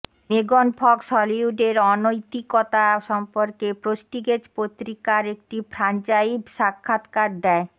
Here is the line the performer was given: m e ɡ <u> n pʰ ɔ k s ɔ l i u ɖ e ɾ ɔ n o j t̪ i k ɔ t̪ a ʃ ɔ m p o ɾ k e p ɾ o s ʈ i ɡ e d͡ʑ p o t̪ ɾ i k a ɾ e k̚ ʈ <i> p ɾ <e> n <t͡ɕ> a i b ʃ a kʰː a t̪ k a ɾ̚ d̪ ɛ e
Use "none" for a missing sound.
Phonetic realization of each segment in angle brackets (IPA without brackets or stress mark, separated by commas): o, i, a, t͡ɕ